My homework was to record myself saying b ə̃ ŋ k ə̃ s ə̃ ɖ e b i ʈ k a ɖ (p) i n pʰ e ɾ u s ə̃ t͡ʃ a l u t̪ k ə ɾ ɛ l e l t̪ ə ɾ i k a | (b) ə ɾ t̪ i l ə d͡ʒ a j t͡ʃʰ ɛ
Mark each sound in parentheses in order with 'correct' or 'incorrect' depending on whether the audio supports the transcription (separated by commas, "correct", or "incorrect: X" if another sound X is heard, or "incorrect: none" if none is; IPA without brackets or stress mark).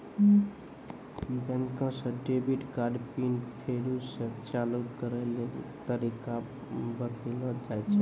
correct, correct